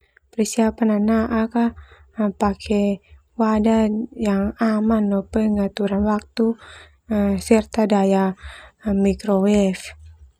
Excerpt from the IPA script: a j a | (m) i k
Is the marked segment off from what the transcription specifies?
no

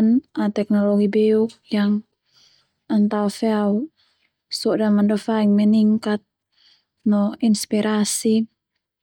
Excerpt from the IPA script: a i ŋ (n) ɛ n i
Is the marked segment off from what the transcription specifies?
yes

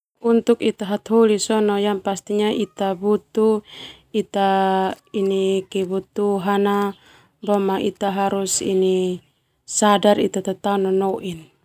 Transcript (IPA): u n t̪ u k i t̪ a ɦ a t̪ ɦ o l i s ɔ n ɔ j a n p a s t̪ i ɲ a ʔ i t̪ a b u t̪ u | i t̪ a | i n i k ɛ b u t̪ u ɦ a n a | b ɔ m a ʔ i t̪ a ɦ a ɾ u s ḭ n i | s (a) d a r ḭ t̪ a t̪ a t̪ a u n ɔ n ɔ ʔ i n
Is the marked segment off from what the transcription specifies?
no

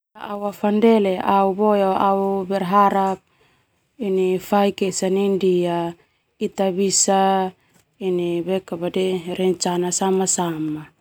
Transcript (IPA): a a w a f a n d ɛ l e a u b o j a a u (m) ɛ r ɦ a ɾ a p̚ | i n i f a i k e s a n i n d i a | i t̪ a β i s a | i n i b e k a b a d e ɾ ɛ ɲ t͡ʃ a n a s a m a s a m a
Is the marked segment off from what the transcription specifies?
yes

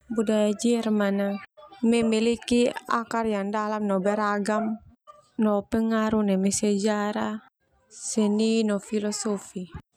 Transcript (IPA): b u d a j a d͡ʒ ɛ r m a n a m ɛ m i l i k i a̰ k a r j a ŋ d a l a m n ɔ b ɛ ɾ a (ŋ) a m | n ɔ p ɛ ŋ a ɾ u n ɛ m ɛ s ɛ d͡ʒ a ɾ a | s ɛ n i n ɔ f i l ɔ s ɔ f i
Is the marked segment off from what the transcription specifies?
yes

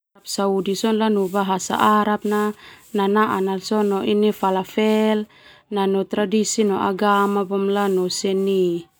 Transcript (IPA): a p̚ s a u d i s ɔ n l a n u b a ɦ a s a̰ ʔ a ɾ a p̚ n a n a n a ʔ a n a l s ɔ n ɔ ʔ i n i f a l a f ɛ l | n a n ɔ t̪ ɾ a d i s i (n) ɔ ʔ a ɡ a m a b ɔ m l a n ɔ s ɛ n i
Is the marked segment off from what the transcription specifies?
no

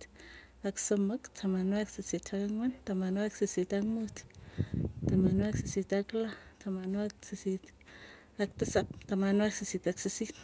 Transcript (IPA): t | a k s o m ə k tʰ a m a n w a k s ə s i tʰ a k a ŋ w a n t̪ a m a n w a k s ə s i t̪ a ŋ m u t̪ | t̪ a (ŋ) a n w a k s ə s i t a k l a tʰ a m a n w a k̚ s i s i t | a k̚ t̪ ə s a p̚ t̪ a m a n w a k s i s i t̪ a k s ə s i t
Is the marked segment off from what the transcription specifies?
yes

